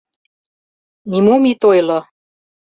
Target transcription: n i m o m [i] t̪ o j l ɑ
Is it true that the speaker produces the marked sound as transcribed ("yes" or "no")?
yes